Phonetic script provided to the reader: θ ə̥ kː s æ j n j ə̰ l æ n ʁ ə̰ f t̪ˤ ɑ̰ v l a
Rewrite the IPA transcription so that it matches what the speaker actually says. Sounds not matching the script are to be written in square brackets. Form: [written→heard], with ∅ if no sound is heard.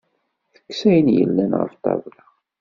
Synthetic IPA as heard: θ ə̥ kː s æ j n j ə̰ [l→lː] æ n ʁ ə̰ f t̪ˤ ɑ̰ v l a